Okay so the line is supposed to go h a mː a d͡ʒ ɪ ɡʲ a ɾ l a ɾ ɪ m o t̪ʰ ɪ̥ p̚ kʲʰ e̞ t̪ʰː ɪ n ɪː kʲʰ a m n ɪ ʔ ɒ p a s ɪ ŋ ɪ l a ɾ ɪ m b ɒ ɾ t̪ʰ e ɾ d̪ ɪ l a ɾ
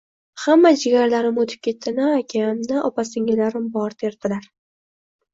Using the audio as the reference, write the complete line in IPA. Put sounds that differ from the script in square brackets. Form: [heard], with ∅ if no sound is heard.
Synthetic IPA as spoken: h a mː a d͡ʒ ɪ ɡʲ a ɾ l a ɾ ɪ m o t̪ʰ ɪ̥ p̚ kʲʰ e̞ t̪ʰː ɪ n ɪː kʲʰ a m n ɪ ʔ ɒ p a s ɪ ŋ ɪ l a ɾ ɪ m b ɒ ɾ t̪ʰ e ɾ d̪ ɪ l a ɾ